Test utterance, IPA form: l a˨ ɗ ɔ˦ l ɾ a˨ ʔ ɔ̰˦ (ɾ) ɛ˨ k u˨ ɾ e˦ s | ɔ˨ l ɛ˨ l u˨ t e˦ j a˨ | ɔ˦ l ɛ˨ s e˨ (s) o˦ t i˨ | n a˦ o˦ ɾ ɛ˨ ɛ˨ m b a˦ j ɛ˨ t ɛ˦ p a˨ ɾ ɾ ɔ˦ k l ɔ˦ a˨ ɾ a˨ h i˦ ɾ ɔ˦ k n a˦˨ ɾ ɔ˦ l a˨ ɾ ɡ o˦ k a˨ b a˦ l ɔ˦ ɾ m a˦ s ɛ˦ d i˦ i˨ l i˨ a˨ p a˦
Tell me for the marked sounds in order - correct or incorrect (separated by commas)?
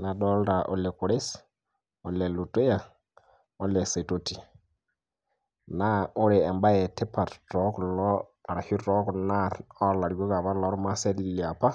incorrect, incorrect